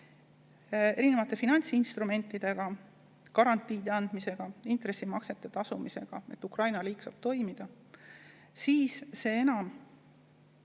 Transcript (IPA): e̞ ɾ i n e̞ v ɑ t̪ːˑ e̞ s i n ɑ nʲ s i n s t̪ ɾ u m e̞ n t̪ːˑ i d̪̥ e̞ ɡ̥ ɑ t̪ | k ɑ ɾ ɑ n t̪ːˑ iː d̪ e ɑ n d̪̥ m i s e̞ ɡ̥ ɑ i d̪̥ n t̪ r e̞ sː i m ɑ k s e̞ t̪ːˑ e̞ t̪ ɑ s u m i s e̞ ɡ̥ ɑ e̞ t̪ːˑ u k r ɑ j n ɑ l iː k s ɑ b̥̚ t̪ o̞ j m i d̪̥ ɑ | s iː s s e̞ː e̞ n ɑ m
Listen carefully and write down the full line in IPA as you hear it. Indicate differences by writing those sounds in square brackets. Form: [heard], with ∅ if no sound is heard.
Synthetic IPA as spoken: e̞ ɾ i n e̞ v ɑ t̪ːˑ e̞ [f] i n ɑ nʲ s i n s t̪ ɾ u m e̞ n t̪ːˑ i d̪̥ e̞ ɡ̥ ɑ [∅] | k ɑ ɾ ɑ n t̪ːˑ iː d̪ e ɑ n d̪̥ m i s e̞ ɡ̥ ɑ i [∅] n t̪ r e̞ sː i m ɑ k s e̞ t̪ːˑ e̞ t̪ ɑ s u m i s e̞ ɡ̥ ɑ e̞ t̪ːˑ u k r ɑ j n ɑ l iː k s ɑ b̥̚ t̪ o̞ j m i d̪̥ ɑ | s iː s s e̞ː e̞ n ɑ m